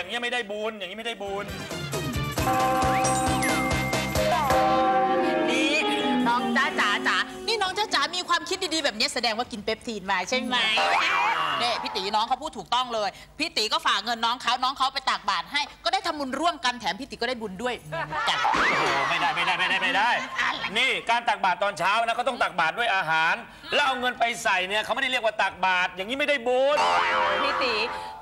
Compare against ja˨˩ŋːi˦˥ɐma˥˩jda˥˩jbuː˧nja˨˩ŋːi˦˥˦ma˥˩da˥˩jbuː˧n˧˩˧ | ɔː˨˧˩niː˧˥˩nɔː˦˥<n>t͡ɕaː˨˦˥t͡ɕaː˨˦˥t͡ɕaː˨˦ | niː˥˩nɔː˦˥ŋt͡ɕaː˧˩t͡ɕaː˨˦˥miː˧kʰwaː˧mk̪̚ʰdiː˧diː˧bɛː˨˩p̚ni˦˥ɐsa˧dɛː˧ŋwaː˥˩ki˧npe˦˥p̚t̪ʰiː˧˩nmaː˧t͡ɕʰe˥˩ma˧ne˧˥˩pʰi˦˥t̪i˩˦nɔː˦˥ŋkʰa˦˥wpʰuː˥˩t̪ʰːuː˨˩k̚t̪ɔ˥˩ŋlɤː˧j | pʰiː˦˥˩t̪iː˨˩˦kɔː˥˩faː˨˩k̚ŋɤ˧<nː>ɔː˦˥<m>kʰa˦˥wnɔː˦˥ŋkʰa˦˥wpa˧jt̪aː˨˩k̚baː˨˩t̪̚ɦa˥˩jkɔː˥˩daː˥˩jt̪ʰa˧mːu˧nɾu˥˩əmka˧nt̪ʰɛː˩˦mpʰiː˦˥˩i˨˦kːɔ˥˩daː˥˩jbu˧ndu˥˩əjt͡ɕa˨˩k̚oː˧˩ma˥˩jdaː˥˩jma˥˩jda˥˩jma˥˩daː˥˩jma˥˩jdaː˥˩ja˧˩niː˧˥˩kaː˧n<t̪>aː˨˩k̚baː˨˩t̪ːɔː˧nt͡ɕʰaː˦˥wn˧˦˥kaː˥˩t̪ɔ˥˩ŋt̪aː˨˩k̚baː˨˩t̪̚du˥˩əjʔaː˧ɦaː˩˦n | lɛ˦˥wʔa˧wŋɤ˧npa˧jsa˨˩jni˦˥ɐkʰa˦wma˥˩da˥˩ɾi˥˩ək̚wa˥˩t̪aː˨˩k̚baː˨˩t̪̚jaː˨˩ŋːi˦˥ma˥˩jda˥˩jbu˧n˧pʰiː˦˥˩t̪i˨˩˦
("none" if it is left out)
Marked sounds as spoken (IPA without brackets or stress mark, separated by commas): ŋ, nː, ŋ, t̪